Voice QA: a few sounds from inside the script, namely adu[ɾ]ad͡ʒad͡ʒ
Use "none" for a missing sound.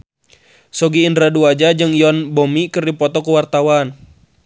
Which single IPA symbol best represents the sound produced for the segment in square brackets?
none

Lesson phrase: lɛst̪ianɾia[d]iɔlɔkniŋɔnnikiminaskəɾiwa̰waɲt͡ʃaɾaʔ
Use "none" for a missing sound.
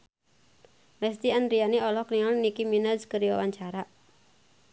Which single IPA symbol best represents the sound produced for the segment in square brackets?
n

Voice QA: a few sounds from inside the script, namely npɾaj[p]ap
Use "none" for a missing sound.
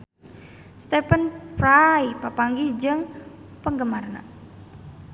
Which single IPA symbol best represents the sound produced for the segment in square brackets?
p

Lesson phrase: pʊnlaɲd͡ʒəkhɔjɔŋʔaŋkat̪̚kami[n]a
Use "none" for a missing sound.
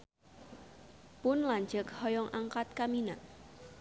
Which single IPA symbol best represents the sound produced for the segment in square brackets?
n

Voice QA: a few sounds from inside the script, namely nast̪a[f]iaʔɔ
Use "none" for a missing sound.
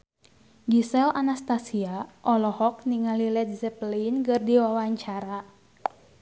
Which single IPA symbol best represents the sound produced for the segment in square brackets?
s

